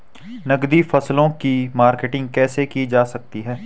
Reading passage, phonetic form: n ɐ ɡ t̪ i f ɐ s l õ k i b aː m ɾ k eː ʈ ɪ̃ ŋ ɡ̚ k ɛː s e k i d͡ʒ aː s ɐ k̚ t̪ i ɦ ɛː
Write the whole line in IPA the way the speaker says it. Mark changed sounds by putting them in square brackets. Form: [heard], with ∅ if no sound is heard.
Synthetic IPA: n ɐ ɡ [d̪] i f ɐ s l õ k i [m] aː [∅] ɾ k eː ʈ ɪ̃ ŋ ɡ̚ k ɛː s e k i d͡ʒ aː s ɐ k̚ t̪ i ɦ ɛː

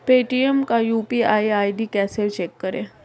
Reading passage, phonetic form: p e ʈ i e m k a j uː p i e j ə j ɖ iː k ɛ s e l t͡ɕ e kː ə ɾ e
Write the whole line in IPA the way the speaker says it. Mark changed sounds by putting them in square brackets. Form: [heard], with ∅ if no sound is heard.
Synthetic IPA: p e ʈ i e m k a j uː p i [a] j [a] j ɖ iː k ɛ s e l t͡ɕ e kː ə ɾ e

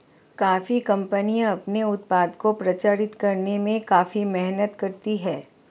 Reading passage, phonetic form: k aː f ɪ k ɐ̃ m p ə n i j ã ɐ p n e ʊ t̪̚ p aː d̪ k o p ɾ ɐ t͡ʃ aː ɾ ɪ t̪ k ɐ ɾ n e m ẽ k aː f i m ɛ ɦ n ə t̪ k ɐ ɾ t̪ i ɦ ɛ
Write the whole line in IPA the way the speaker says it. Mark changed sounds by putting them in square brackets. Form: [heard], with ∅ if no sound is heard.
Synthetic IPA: k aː f [i] k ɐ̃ m p ə n i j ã ɐ p n e ʊ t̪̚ p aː d̪ k o p ɾ ɐ t͡ʃ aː ɾ ɪ t̪ k ɐ ɾ n e m ẽ k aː f i m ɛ ɦ n ə t̪ k ɐ ɾ t̪ i ɦ [ɛː]

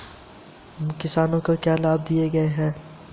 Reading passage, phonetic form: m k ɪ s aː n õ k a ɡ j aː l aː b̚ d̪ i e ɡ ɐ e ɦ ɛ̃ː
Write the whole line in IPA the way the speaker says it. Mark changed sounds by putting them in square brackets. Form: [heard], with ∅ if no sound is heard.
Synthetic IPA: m k ɪ s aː n õ k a [k] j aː l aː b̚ d̪ i e ɡ ɐ e ɦ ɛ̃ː

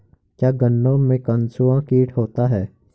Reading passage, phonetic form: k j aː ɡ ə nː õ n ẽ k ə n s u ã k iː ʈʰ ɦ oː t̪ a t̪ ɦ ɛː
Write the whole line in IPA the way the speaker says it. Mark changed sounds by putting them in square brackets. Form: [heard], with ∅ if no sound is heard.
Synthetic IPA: k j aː ɡ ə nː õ [m] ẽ k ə n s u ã k iː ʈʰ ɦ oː t̪ a [∅] ɦ ɛː

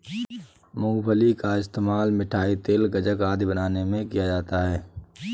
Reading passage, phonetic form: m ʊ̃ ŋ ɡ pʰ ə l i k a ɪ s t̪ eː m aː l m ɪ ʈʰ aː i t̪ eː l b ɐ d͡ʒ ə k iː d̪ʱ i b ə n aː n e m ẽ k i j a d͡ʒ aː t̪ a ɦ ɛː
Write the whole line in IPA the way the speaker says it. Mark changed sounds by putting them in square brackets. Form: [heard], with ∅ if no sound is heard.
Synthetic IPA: m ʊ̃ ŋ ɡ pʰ ə l i k a ɪ s t̪ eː m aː l m ɪ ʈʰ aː i t̪ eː l [ɡ] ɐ d͡ʒ ə k [aː] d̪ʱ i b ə n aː n e m ẽ k i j a d͡ʒ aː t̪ a ɦ ɛː

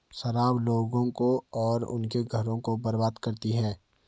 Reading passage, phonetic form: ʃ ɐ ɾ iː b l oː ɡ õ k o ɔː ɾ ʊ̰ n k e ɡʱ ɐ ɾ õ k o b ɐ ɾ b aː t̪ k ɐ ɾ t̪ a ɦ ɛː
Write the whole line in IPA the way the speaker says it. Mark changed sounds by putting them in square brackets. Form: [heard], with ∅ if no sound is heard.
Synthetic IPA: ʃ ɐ ɾ [aː] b l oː ɡ õ k o ɔː ɾ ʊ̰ n k e ɡʱ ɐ ɾ õ k o b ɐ ɾ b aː [d̪] k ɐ ɾ t̪ [i] ɦ ɛː

